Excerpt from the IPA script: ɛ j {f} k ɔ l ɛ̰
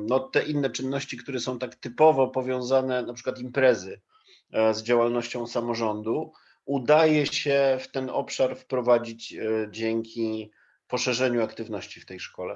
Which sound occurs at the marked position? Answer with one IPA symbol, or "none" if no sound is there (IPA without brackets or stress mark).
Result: ʂ